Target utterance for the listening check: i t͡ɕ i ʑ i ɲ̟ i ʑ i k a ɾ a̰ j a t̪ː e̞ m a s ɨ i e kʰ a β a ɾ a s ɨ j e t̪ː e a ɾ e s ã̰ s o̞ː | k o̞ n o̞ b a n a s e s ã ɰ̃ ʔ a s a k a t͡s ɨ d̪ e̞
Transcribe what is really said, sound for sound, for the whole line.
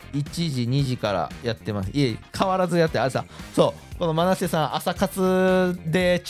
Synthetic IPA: i t͡ɕ i ʑ i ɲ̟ i ʑ i k a ɾ a̰ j a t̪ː e̞ m a s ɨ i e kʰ a β a ɾ a z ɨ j a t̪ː e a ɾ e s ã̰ s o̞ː | k o̞ n o̞ m a n a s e s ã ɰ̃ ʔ a s a k a t͡s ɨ d̪ e̞